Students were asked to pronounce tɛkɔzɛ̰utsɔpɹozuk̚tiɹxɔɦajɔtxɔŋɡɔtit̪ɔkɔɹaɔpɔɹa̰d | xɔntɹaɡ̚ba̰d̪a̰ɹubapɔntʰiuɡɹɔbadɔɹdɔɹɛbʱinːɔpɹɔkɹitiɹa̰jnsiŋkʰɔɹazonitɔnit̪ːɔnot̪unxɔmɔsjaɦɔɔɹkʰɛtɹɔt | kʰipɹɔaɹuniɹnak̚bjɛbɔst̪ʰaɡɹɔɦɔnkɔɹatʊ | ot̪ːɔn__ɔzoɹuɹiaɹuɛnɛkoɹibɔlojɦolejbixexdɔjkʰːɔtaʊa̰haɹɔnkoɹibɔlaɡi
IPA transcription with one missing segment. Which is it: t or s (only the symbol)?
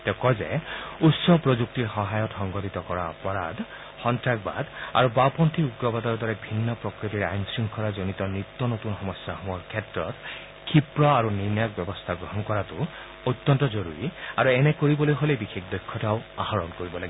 t